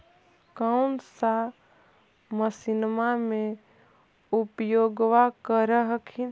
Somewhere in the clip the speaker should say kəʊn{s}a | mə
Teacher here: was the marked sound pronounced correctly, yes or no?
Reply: yes